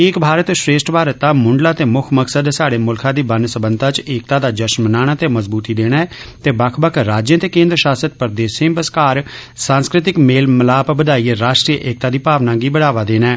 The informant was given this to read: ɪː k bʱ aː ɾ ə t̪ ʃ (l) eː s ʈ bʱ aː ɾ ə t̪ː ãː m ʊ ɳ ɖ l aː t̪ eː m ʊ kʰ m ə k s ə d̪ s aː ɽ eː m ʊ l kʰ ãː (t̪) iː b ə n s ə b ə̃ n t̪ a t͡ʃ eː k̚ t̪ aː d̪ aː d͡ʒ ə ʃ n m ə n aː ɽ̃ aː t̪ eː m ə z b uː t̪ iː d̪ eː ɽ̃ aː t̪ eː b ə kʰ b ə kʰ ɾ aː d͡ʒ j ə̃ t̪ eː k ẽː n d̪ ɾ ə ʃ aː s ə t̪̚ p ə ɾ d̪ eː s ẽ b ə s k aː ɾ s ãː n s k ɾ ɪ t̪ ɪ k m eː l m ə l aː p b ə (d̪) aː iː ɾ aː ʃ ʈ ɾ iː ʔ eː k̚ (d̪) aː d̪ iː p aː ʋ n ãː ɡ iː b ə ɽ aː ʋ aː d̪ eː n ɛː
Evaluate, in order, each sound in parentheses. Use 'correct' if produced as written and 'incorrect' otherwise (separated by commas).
incorrect, incorrect, correct, incorrect